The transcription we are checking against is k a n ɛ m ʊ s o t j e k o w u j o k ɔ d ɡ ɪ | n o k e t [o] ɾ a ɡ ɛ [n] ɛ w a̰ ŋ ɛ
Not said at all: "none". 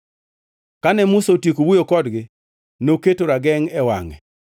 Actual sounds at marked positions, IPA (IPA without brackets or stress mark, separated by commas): o, ŋ